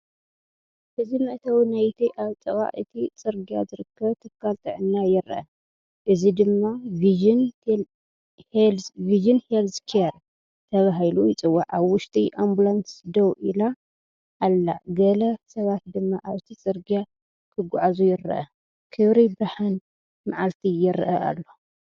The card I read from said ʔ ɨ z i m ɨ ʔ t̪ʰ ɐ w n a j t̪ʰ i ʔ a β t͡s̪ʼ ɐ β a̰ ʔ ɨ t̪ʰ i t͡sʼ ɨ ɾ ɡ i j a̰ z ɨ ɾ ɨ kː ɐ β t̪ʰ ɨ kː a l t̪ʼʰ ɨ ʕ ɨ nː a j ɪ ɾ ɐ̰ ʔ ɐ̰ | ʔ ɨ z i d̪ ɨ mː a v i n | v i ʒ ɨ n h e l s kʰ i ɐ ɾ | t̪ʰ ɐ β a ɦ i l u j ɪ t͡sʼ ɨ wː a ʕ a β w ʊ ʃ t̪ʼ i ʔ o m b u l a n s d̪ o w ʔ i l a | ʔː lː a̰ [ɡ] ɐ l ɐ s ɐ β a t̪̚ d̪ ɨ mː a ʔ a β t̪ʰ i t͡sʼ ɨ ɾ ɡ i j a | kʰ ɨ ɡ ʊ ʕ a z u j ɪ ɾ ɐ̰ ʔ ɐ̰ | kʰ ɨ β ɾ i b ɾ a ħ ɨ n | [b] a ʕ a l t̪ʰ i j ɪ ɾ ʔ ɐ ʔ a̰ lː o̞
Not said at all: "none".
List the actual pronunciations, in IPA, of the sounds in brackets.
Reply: ɡ, m

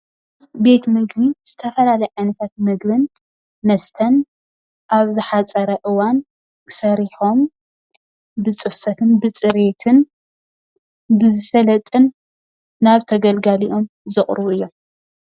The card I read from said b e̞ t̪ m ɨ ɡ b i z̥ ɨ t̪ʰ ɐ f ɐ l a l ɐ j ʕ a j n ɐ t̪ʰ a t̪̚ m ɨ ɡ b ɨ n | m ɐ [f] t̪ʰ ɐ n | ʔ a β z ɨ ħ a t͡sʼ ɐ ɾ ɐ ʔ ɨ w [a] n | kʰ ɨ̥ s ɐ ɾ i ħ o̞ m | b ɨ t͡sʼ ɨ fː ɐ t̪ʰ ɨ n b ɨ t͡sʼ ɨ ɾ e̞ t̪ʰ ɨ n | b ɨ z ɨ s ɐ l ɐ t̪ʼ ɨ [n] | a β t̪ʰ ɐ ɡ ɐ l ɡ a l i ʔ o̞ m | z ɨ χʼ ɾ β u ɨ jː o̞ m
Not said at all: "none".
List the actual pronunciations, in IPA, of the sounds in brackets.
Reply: s, a, nː

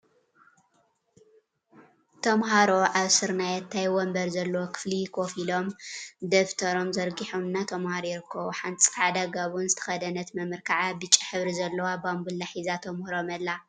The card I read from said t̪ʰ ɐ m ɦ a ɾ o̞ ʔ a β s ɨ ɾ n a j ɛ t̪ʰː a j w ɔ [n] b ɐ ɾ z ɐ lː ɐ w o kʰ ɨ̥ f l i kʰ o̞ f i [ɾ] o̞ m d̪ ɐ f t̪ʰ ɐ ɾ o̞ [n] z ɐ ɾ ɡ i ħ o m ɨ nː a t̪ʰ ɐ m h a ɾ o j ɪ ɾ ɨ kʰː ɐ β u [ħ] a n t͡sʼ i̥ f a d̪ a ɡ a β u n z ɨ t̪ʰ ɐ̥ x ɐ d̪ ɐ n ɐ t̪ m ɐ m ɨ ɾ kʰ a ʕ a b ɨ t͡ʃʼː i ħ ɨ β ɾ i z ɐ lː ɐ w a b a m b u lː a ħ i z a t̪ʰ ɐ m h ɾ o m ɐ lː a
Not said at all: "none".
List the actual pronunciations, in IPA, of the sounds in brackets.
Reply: m, l, m, ħ

